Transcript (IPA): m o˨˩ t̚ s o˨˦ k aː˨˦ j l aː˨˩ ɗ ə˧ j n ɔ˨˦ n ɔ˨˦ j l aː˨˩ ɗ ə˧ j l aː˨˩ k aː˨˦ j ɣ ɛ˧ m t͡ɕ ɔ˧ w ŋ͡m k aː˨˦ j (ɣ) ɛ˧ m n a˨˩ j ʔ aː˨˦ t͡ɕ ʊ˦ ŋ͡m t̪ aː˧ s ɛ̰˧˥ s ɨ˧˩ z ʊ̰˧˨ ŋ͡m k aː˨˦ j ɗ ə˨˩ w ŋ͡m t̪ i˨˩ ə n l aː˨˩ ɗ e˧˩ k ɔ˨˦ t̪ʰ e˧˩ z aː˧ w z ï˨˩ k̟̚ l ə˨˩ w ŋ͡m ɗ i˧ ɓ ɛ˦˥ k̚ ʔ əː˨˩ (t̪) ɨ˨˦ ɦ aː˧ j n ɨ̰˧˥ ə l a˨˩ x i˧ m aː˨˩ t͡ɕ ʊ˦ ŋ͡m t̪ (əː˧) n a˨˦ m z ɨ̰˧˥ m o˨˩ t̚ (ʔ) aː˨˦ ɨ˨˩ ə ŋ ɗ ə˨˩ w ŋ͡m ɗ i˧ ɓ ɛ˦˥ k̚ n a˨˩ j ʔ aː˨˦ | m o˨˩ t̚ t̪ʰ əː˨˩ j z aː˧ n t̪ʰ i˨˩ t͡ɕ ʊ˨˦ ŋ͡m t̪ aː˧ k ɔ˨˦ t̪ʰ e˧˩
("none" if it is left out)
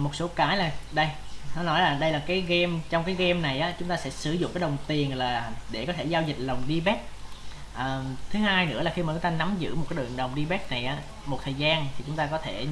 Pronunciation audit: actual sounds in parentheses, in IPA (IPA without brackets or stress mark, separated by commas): ɣ, t̪ʰ, aː˧, k